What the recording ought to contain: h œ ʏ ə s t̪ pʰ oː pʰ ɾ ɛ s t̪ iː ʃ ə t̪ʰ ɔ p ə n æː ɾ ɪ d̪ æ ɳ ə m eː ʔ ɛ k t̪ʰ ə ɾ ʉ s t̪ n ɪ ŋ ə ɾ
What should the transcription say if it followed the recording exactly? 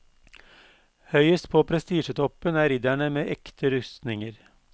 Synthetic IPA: h œ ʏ ə s t̪ pʰ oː pʰ ɾ ɛ s t̪ iː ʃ ə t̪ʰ ɔ p ə n æː ɾ ɪ d̪ æ ɳ ə m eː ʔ ɛ k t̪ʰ ə ɾ ʉ s t̪ n ɪ ŋ ə ɾ